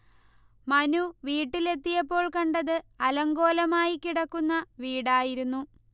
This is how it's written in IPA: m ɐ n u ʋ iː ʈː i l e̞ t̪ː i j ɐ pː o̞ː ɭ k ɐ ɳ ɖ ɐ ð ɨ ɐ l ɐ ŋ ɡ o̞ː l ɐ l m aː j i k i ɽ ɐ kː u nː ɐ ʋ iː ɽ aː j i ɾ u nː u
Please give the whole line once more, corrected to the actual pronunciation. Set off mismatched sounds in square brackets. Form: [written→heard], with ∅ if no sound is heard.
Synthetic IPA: m ɐ n u ʋ iː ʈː i l e̞ t̪ː i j ɐ pː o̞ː ɭ k ɐ ɳ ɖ ɐ ð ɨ ɐ l ɐ ŋ ɡ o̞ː l ɐ [l→∅] m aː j i k i ɽ ɐ kː u nː ɐ ʋ iː ɽ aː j i ɾ u nː u

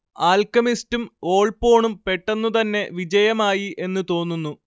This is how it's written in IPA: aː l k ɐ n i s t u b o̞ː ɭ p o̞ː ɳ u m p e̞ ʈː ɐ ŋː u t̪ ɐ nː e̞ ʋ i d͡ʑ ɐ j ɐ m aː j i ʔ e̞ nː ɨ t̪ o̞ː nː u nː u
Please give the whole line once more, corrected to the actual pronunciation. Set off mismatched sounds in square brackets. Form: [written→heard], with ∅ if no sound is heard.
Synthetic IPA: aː l k ɐ [n→m] i s t u [b→m] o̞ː ɭ p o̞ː ɳ u m p e̞ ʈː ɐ [ŋː→nː] u t̪ ɐ nː e̞ ʋ i d͡ʑ ɐ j ɐ m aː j i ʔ e̞ nː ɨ t̪ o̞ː nː u nː u

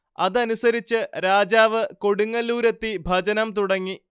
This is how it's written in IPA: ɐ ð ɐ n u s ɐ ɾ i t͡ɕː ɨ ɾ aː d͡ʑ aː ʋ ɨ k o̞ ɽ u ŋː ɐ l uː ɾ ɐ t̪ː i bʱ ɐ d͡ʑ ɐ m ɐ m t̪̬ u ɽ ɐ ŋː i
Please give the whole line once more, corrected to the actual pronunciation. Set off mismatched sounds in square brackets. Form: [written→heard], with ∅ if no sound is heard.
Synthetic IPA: ɐ ð ɐ n u s ɐ ɾ i t͡ɕː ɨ ɾ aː d͡ʑ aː ʋ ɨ k o̞ ɽ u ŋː ɐ l uː ɾ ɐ t̪ː i bʱ ɐ d͡ʑ ɐ [m→n] ɐ m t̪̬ u ɽ ɐ ŋː i

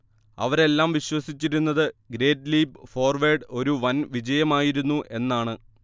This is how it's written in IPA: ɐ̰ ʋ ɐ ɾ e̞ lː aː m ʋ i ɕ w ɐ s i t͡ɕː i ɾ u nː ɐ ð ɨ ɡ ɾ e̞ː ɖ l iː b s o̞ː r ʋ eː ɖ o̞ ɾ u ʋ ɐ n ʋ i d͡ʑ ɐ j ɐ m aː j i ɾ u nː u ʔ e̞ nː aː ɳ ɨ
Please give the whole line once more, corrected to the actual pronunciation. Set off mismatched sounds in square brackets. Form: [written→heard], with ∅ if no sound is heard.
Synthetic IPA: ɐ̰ ʋ ɐ ɾ e̞ lː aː m ʋ i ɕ w ɐ s i t͡ɕː i ɾ u nː ɐ ð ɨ ɡ ɾ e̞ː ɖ l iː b [s→f] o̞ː r ʋ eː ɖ o̞ ɾ u ʋ ɐ n ʋ i d͡ʑ ɐ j ɐ m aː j i ɾ u nː u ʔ e̞ nː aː ɳ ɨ

